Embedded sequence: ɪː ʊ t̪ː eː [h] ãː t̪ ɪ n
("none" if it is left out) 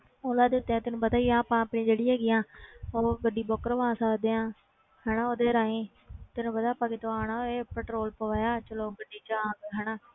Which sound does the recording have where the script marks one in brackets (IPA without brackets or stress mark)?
none